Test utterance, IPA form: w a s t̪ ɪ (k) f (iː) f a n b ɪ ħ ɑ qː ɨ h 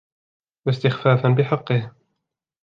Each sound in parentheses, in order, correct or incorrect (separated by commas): incorrect, incorrect